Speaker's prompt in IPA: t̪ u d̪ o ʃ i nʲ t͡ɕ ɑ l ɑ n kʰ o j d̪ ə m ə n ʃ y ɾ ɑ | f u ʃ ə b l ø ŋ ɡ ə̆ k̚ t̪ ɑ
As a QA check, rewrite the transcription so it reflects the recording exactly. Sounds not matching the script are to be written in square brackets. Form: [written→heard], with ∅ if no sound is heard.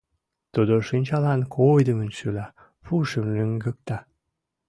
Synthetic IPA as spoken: t̪ u d̪ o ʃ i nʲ t͡ɕ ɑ l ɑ n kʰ o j d̪ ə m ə n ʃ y [ɾ→l] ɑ | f u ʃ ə [b→m] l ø ŋ ɡ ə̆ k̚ t̪ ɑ